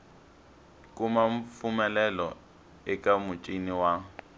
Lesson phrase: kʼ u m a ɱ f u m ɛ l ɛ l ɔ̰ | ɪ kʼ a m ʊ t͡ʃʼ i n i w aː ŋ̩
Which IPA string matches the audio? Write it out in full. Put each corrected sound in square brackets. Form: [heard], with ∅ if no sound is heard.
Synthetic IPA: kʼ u m a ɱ f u m ɛ l ɛ l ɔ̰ | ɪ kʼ a m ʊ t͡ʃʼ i n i w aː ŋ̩

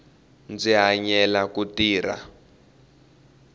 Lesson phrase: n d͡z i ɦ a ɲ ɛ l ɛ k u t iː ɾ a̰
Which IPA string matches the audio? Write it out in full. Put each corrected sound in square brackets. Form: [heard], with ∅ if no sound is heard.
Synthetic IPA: n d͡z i ɦ a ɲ ɛ l [a] k u t iː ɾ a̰

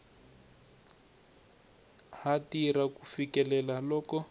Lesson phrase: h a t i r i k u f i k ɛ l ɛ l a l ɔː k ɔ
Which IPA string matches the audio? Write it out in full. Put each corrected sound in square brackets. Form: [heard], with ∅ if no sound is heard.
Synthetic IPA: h a t i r [a] k u f i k ɛ l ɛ l a l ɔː k ɔ

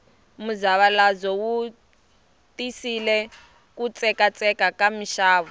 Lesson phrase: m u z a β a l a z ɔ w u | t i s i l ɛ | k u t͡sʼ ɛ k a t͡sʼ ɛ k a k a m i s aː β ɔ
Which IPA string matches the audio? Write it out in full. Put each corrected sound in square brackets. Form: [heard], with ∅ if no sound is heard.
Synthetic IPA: m u z a β a l a z ɔ w u | t i s i l ɛ | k u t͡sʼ ɛ k a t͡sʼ ɛ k a k a m i [ʃ] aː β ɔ

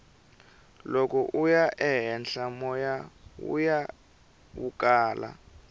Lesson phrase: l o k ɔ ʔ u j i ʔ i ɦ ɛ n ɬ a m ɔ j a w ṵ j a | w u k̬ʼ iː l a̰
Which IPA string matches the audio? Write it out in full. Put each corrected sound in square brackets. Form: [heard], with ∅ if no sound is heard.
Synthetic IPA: l o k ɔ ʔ u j [a] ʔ [ɛ] ɦ ɛ n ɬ a m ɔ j a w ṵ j a | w u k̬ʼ [aː] l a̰

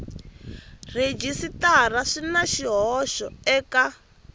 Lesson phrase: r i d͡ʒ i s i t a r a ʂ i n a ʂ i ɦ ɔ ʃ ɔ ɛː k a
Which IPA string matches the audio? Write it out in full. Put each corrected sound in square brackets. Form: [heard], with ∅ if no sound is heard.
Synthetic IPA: r [e] d͡ʒ i s i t a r a ʂ i n a [ʃ] i ɦ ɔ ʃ ɔ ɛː k a

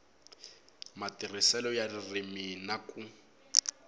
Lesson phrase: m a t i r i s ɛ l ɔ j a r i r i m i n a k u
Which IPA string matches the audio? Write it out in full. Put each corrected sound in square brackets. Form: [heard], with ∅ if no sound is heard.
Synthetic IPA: m a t i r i s ɛ l ɔ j a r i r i m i n a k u

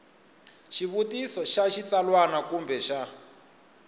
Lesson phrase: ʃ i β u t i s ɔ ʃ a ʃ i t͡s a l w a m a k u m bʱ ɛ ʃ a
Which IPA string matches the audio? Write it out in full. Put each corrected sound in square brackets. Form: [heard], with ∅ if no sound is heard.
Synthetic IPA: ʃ i β u t i s ɔ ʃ a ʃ i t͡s a l w a [n] a k u m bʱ ɛ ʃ a

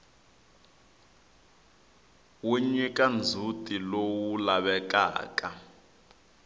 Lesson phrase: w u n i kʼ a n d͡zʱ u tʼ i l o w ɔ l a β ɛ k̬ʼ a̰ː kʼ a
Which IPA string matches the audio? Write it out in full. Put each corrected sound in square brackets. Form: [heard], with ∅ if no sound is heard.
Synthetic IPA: w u [ɲ] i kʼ a n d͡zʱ u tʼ i l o w [u] l a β ɛ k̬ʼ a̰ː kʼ a

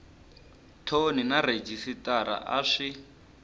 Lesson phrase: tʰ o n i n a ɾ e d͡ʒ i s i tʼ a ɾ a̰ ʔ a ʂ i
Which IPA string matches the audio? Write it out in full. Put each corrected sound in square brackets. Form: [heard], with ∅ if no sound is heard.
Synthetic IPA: tʰ o n i n a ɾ e d͡ʒ i s i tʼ a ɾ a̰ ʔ a ʂ i

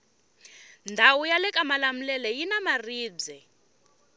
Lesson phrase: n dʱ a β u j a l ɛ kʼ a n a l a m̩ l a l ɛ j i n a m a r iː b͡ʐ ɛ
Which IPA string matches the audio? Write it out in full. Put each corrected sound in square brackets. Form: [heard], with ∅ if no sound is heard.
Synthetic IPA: n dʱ a [w] u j a l ɛ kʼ a [m] a l a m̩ l [ɛ] l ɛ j i n a m a r iː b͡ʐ ɛ

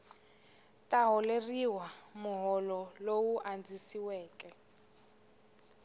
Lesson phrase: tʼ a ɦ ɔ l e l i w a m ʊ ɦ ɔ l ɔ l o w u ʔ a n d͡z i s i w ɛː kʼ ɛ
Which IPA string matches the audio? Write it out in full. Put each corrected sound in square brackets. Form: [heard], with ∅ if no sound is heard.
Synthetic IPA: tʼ a ɦ ɔ l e [r] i w a m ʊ ɦ ɔ l ɔ l o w u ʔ a n d͡z i s i w ɛː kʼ ɛ

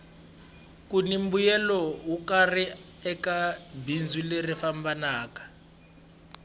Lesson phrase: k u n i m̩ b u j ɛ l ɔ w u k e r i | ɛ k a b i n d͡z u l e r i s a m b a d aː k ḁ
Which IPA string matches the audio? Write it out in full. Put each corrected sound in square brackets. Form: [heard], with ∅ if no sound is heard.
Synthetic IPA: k u n i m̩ b u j ɛ l ɔ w u k [a] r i | ɛ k a b i n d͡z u l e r i [f] a m b a [n] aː k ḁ

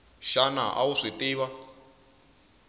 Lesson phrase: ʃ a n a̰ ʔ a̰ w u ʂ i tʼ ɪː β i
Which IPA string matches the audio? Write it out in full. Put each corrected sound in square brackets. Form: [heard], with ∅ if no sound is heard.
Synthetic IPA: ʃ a n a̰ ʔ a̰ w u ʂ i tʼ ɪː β [a]

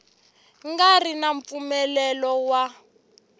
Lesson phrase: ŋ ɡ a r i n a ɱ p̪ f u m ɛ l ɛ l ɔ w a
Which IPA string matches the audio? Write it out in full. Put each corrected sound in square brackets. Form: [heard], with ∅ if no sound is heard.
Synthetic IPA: ŋ ɡ a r i n a ɱ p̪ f u m ɛ l ɛ l ɔ w a

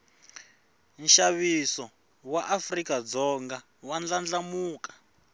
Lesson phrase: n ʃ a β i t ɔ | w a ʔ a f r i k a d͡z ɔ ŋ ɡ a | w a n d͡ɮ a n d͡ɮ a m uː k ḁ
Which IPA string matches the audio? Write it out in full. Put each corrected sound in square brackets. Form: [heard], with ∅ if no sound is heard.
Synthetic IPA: n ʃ a β i [s] ɔ | w a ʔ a f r i k a d͡z ɔ ŋ ɡ a | w a n d͡ɮ a n d͡ɮ a m uː k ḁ

